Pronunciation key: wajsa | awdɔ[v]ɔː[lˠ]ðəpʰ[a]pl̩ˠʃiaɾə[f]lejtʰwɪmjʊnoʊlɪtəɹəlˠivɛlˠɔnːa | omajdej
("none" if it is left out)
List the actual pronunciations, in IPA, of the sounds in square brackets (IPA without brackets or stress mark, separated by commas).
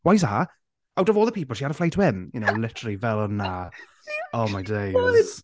v, lˠ, i, f